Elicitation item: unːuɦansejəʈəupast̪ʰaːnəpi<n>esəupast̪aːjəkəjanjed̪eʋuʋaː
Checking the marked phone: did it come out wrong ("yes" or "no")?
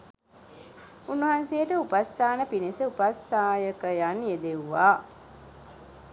no